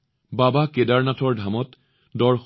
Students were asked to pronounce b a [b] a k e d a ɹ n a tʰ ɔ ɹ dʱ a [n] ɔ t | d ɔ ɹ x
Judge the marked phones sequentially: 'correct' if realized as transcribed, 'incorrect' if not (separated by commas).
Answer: correct, incorrect